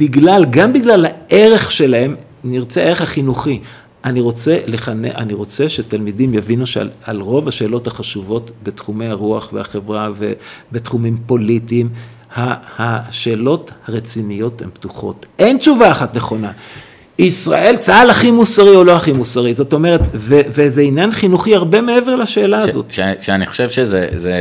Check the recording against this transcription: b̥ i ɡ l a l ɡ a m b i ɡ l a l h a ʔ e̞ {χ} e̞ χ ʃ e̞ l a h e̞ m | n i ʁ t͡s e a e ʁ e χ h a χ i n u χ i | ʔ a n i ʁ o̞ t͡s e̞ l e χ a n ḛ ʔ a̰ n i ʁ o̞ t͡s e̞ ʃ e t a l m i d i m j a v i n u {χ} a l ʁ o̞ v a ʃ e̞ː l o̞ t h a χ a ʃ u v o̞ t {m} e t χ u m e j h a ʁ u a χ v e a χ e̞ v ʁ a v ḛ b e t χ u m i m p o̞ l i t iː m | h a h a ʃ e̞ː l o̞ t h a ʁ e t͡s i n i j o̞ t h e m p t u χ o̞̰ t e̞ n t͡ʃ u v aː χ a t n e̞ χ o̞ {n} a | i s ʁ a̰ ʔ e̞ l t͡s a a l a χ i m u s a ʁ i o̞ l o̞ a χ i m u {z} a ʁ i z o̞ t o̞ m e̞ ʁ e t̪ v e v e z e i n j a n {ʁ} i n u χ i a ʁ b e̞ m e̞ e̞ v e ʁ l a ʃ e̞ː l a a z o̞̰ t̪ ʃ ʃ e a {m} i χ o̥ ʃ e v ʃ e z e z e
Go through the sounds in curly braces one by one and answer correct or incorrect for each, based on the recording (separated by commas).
incorrect, incorrect, incorrect, correct, incorrect, incorrect, incorrect